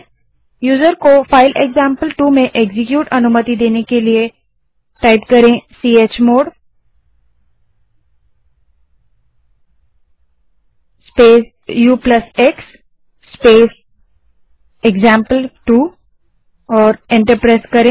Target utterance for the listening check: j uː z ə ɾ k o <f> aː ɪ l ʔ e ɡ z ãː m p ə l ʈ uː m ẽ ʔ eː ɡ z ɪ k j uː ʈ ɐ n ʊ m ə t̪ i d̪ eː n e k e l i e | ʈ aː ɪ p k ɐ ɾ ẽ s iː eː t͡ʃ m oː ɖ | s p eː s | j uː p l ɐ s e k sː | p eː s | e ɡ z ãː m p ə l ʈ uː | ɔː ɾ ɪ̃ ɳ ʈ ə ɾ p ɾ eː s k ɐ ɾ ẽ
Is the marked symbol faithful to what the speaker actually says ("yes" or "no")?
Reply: yes